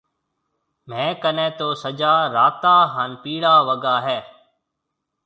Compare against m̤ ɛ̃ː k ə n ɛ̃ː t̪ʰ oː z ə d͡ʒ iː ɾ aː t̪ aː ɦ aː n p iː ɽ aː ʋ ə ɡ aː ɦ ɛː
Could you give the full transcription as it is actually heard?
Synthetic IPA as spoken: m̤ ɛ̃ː k ə n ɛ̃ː t̪ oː s ə d͡ʒ aː ɾ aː t̪ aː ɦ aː n p iː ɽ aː ʋ ə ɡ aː ɦ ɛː